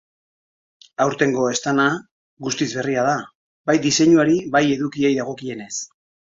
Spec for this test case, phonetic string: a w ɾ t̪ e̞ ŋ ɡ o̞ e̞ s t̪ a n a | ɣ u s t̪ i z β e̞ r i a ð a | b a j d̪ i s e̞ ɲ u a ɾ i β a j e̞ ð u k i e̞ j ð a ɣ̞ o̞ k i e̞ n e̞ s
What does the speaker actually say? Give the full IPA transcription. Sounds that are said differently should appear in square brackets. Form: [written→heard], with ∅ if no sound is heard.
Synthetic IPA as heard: a w ɾ t̪ e̞ ŋ ɡ o̞ e̞ s t̪ a n a | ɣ u s t̪ i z β e̞ r i a ð a | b a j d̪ i s e̞ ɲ u a ɾ i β a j e̞ ð u k i e̞ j ð a ɣ̞ o̞ k i e̞ n e̞ s